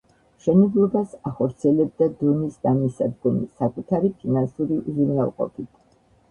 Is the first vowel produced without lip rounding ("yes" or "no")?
yes